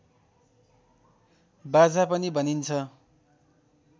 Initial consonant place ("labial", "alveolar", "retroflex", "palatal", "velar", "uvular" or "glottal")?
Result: labial